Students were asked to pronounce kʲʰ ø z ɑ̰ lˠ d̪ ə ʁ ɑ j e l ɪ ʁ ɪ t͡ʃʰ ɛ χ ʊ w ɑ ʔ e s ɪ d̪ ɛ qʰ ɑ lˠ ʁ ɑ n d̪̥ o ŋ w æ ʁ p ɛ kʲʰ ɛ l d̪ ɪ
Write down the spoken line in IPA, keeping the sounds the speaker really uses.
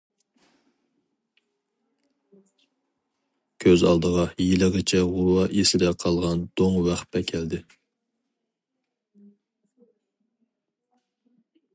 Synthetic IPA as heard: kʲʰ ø z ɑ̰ lˠ d̪ ə ʁ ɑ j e l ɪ ʁ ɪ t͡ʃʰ ɛ ʁ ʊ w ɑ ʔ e s ɪ d̪ ɛ qʰ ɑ lˠ ʁ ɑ n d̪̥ o ŋ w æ χ p ɛ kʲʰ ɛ l d̪ ɪ